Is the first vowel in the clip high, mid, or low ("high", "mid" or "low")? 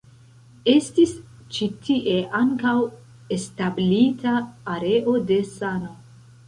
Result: mid